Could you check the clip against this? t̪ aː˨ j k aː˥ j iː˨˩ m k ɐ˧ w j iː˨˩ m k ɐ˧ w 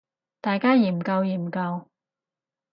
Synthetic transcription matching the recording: t̪ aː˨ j k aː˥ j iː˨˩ m k ɐ˧ w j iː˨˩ m k ɐ˧ w

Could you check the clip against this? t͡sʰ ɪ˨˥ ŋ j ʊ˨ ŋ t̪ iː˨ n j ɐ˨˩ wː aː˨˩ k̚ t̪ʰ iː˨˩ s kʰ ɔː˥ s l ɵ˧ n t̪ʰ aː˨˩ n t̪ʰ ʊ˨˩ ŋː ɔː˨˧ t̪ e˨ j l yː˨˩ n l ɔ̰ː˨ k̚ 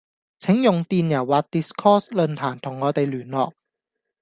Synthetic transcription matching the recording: t͡sʰ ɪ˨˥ ŋ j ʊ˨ ŋ t̪ iː˨ n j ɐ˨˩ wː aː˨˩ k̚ t̪ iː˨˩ s kʰ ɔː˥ s l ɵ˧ n t̪ʰ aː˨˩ n t̪ʰ ʊ˨˩ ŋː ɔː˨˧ t̪ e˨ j l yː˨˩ n l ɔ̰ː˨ k̚

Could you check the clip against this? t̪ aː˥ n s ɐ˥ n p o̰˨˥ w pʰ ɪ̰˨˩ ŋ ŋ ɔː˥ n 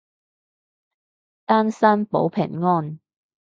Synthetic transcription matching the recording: t̪ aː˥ n s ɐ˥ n p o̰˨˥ w pʰ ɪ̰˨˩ ŋ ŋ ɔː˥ n

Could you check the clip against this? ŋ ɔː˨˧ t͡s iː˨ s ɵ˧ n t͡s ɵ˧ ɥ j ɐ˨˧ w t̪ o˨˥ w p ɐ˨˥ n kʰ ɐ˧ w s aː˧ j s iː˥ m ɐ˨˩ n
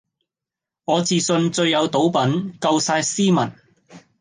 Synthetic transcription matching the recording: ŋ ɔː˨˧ t͡s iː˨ s ɵ˧ n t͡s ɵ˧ ɥ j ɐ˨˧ w t̪ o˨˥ w p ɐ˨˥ n k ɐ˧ w s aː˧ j s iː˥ m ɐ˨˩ n

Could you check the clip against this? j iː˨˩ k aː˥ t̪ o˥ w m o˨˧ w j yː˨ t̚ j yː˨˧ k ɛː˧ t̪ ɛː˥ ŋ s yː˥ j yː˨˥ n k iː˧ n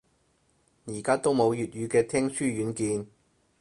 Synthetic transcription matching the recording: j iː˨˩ k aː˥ t̪ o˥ w m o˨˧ w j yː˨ t̚ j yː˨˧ k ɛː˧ t̪ʰ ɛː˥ ŋ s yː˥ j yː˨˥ n k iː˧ n

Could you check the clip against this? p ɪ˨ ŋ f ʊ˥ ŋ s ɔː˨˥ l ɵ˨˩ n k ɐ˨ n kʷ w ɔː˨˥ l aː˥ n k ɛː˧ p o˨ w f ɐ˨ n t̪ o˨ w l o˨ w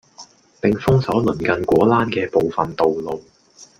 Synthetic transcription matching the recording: p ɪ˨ ŋ f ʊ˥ ŋ s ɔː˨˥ l ɵ˨˩ n k ɐ˨ n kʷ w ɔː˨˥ l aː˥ n k ɛː˧ p o˨ w f ɐ˨ n t̪ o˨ w l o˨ w

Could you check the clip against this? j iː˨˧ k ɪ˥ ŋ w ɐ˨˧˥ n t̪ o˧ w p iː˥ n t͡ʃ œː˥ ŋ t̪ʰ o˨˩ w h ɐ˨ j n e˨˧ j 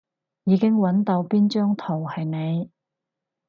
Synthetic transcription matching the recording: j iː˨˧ k ɪ˥ ŋ w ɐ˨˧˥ n t̪ o˧ w p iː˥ n t͡ʃ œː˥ ŋ t̪ʰ o˨˩ w h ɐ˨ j n e˨˧ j

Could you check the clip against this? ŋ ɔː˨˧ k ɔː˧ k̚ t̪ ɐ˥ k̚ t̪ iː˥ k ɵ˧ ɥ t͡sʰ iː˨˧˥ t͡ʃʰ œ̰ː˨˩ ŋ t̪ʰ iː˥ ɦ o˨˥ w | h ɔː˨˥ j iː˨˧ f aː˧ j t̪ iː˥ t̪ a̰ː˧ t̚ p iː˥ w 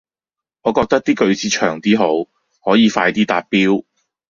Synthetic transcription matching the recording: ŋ ɔː˨˧ k ɔː˧ k̚ t̪ ɐ˥ k̚ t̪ iː˥ k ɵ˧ ɥ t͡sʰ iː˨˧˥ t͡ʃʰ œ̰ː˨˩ ŋ t̪ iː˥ ɦ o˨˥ w | h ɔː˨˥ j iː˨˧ f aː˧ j t̪ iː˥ t̪ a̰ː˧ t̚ p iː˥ w

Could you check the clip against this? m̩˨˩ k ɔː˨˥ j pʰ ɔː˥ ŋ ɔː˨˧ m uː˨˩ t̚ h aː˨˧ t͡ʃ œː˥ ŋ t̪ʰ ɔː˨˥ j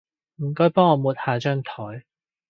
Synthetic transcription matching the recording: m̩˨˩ k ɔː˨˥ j p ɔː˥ ŋ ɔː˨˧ m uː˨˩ t̚ h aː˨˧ t͡ʃ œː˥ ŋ t̪ʰ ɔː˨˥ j

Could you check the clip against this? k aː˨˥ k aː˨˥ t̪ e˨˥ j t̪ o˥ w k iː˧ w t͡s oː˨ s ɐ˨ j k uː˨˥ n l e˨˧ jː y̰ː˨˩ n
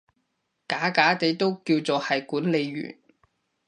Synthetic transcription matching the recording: k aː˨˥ k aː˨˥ t̪ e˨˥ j t̪ o˥ w k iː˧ w t͡s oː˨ h ɐ˨ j k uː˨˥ n l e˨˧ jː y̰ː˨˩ n

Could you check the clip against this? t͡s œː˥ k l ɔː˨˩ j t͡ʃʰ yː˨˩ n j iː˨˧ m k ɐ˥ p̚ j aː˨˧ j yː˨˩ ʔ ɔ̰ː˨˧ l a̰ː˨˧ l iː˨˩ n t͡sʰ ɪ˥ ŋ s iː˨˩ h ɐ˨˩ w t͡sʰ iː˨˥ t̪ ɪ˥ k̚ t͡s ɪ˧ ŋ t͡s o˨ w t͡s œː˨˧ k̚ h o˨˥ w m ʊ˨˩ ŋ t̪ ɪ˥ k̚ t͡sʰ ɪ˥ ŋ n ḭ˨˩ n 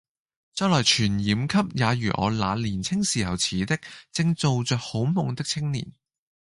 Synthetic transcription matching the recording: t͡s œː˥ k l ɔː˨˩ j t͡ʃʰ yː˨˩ n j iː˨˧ m kʰ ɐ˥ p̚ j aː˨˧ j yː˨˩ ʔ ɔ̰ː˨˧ l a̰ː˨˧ l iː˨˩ n t͡sʰ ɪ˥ ŋ s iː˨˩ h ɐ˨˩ w t͡sʰ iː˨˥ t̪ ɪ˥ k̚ t͡s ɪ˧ ŋ t͡s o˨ w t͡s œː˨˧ k̚ h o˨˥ w m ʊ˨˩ ŋ t̪ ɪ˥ k̚ t͡sʰ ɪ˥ ŋ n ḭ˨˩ n

